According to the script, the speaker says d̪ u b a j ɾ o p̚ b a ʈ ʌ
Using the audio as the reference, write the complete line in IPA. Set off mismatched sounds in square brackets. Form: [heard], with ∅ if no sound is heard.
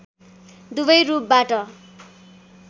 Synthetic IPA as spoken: d̪ u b [ʌ] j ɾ [u] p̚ b a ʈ ʌ